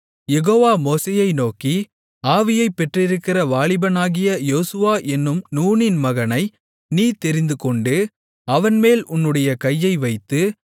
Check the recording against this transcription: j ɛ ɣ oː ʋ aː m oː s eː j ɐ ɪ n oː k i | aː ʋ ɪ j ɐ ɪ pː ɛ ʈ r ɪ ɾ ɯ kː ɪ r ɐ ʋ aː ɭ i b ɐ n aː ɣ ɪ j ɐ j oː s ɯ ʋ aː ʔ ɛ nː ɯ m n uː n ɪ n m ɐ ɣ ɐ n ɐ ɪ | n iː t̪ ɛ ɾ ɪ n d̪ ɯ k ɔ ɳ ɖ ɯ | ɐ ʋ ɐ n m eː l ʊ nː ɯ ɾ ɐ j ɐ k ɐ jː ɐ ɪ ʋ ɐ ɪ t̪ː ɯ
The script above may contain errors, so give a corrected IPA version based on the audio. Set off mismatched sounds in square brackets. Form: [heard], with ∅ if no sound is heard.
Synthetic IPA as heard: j ɛ ɣ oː ʋ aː m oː s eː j ɐ ɪ n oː k i | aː ʋ ɪ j ɐ ɪ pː ɛ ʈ r ɪ ɾ ɯ kː ɪ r ɐ ʋ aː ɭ [ɪ] b ɐ n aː ɣ ɪ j ɐ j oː s ɯ ʋ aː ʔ ɛ nː ɯ m n uː n ɪ n m ɐ ɣ ɐ n ɐ ɪ | n iː t̪ ɛ ɾ ɪ n d̪ ɯ k ɔ ɳ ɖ ɯ | ɐ ʋ ɐ n m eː l ʊ nː ɯ [ɽ] ɐ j ɐ k ɐ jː ɐ ɪ ʋ ɐ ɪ t̪ː ɯ